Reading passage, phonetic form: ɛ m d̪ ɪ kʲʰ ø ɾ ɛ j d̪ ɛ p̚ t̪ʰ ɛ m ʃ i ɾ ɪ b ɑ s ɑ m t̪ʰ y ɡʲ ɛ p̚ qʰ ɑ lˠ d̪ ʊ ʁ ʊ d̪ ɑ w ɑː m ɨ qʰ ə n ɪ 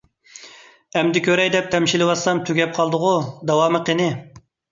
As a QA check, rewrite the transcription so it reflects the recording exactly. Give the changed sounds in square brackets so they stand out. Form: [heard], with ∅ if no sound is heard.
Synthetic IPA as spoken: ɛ m d̪ ɪ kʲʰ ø ɾ ɛ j d̪ ɛ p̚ t̪ʰ ɛ m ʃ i [l] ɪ [w] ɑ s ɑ m t̪ʰ y ɡʲ ɛ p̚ qʰ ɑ lˠ d̪ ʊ ʁ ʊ d̪ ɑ w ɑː m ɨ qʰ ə n ɪ